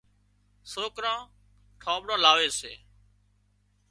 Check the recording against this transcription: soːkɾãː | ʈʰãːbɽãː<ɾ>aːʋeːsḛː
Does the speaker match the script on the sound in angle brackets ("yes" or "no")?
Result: no